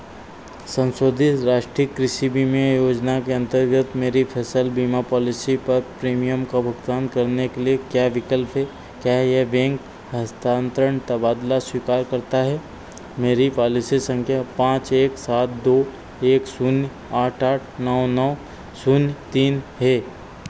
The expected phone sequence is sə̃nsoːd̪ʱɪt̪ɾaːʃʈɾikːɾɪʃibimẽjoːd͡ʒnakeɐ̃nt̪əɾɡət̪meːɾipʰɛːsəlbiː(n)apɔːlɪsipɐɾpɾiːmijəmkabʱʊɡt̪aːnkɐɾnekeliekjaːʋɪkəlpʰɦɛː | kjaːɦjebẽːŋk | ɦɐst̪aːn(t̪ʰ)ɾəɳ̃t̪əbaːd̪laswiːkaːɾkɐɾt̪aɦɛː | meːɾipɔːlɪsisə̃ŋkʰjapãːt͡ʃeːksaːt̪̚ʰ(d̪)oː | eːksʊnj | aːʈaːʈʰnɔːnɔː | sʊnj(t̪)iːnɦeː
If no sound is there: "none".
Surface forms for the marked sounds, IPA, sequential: m, t̪, d̪, t̪

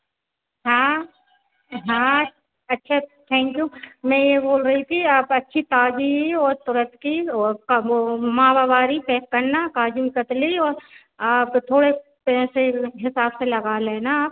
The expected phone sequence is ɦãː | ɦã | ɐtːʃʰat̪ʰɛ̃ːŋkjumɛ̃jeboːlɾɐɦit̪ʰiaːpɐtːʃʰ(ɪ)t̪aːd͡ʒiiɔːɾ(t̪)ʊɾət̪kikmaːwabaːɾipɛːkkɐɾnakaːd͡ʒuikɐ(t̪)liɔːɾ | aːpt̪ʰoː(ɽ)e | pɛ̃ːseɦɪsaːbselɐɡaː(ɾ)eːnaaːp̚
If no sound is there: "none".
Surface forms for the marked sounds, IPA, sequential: i, t̪, t̪, ɽ, l

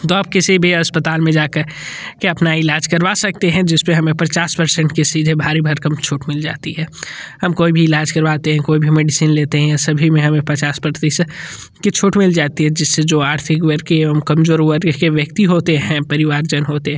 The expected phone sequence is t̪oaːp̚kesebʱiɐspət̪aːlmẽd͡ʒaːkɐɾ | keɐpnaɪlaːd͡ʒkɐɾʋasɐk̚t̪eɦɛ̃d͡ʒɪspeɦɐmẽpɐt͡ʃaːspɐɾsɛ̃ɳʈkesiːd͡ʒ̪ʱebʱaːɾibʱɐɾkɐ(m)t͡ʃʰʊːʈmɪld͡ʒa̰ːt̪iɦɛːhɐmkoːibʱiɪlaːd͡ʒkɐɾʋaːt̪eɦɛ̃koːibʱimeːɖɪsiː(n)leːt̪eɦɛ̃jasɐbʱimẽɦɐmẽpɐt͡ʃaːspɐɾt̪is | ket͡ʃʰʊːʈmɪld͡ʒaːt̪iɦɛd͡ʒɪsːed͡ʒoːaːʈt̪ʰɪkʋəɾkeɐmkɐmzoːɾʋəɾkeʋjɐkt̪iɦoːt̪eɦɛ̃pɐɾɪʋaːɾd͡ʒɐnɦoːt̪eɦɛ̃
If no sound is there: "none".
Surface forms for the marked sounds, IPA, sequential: m, n

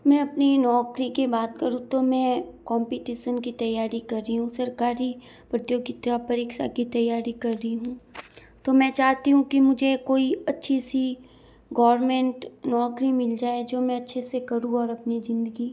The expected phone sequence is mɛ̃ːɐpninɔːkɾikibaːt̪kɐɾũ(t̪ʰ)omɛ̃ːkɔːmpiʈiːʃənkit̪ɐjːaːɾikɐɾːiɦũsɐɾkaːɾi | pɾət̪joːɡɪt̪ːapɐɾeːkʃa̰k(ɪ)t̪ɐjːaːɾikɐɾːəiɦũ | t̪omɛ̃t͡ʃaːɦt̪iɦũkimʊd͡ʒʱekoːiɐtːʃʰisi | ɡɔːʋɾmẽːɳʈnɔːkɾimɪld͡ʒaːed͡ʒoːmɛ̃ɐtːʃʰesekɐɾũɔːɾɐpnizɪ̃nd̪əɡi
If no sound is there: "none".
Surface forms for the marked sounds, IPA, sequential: t̪, i

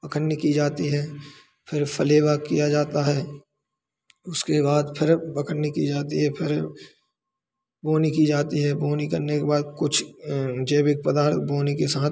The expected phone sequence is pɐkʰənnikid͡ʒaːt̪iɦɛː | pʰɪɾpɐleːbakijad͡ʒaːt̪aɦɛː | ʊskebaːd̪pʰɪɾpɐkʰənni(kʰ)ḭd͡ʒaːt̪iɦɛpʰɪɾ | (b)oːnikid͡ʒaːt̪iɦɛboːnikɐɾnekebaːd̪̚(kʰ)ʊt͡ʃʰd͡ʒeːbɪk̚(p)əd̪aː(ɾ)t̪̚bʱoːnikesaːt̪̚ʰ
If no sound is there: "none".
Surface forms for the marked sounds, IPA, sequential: k, b, k, p, ɾ

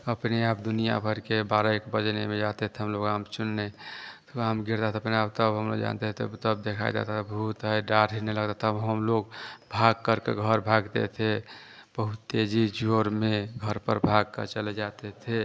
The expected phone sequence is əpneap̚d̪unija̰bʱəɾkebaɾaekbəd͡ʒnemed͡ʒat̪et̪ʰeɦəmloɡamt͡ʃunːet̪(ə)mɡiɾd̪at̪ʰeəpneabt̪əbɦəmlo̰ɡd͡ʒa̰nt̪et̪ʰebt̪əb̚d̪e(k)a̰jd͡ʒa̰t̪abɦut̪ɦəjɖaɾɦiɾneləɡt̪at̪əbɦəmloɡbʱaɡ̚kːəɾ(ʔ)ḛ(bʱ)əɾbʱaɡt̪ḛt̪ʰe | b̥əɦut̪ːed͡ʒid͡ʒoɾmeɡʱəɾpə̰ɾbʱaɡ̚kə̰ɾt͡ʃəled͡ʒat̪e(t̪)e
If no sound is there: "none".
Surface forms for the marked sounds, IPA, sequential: a, kʰ, k, ɡʱ, t̪ʰ

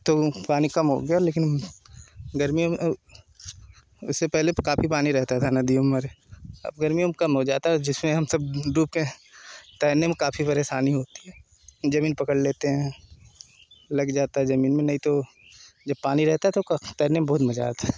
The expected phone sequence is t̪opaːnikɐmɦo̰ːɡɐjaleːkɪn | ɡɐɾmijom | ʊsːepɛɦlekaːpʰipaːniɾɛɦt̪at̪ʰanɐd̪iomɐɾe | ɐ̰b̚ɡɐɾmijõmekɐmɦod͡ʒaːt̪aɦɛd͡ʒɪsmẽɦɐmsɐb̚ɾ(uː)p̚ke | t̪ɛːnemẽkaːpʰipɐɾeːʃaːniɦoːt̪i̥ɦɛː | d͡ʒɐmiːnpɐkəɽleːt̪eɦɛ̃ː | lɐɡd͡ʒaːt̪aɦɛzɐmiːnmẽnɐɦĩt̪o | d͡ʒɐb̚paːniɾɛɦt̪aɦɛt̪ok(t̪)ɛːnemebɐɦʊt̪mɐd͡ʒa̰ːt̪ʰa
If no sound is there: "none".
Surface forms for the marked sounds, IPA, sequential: uː, t̪

